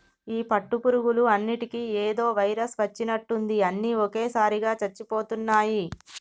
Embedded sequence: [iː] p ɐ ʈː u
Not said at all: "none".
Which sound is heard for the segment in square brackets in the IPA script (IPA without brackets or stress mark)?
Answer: iː